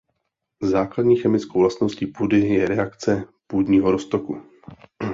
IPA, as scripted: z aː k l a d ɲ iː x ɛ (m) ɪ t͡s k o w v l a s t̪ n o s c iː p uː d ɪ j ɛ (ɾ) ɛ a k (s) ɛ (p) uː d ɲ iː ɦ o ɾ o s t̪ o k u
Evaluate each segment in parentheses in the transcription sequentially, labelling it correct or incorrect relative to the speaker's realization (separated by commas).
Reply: correct, correct, incorrect, correct